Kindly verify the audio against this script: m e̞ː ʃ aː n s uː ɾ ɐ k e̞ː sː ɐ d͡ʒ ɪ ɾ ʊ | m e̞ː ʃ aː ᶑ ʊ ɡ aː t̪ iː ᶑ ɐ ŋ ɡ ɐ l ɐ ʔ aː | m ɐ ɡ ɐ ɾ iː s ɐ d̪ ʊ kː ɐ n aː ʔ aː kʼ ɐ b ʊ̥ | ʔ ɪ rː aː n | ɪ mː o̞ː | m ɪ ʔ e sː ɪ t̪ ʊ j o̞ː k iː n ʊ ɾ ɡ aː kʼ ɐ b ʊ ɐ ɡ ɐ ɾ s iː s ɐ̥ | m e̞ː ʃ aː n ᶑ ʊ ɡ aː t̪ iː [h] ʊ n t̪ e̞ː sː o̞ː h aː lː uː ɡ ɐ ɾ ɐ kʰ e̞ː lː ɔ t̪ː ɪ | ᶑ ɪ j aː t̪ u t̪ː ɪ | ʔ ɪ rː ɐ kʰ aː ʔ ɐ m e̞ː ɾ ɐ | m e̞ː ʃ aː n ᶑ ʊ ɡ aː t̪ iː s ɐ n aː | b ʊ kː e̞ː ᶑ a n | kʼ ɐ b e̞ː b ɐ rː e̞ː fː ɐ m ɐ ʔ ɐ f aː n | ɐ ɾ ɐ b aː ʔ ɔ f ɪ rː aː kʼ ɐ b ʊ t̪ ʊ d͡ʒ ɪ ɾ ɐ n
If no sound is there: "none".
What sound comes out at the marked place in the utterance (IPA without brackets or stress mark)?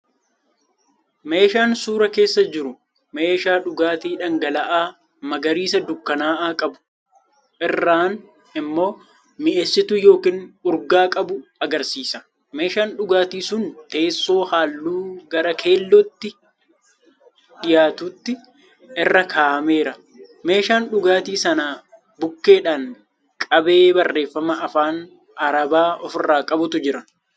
s